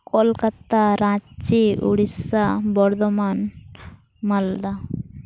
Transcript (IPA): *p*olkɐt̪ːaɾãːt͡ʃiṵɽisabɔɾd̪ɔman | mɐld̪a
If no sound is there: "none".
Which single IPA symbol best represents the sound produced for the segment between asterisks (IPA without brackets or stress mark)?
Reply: k